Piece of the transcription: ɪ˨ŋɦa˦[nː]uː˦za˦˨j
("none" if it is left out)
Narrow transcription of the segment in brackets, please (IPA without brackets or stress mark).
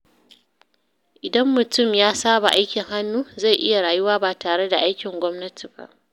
nː